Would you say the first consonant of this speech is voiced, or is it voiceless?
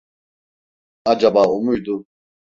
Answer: voiced